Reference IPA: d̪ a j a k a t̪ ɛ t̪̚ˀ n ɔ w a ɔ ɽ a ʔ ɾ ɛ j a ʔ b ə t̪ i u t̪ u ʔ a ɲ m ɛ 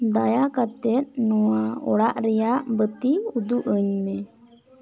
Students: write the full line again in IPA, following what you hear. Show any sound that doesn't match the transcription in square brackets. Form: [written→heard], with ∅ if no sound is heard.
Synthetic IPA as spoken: d̪ a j a k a t̪ ɛ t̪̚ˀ n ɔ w a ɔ ɽ a ʔ ɾ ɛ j a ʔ b ə t̪ i u [t̪→d̪] u ʔ [a→ə] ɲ m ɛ